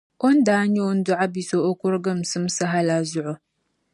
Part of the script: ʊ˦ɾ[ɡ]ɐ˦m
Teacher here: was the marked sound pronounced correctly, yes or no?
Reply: yes